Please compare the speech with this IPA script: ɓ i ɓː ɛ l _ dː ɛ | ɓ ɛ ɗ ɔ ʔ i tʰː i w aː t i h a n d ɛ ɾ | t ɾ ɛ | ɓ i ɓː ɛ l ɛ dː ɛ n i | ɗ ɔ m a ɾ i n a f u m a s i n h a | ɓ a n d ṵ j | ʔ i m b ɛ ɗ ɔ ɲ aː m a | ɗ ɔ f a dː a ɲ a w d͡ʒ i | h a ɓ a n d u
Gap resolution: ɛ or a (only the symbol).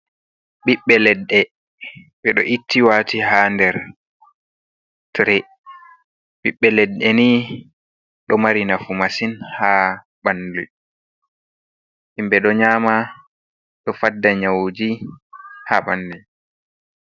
ɛ